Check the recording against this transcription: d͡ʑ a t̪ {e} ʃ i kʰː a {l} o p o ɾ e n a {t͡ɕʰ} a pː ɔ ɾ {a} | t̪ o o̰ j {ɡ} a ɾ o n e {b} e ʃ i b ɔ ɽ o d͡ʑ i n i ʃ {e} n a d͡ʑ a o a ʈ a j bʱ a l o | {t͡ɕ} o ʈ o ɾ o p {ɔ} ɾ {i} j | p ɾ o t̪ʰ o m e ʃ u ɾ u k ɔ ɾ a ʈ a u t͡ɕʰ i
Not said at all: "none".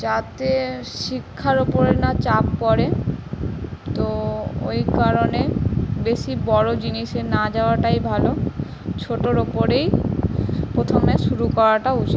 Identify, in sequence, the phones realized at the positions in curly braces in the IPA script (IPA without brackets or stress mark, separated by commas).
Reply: e, ɾ, t͡ɕ, e, k, b, e, t͡ɕʰ, o, e